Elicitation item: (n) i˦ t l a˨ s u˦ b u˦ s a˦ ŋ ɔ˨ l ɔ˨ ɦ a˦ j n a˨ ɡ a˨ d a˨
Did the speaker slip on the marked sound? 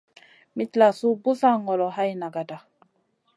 yes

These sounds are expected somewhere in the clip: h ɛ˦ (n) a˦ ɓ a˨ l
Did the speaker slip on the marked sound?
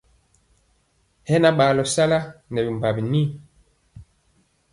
no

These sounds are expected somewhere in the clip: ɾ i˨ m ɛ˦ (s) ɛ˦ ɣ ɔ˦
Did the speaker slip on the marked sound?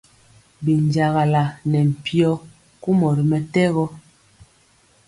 yes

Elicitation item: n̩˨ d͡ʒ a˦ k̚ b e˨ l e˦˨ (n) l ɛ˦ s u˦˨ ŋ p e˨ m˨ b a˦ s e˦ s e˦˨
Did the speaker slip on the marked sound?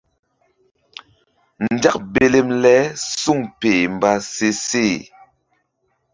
yes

